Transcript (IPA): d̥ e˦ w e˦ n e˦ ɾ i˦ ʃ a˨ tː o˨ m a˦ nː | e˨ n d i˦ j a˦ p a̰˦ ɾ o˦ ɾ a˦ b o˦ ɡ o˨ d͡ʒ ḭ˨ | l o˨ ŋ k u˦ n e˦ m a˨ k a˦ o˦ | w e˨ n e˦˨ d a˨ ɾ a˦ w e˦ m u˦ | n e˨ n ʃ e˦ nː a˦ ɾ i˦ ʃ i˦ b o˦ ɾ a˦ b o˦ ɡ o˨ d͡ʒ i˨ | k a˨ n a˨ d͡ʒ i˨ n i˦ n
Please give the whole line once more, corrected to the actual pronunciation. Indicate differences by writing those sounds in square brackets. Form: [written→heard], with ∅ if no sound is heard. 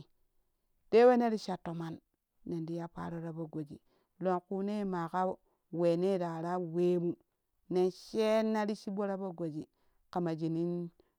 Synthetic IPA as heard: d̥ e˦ w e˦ n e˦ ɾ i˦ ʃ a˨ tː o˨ m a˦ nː | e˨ n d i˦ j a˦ p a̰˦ ɾ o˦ ɾ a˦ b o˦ ɡ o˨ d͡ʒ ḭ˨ | l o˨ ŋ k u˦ n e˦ m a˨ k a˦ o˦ | w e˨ n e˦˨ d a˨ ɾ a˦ w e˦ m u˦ | n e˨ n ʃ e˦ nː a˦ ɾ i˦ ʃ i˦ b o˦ ɾ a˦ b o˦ ɡ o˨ d͡ʒ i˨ | k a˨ [n→m] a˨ d͡ʒ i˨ n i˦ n